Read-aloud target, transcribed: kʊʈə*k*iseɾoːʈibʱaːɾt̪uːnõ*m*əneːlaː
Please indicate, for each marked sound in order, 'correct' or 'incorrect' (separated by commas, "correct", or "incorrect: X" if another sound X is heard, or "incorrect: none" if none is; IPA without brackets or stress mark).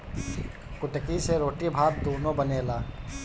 correct, incorrect: b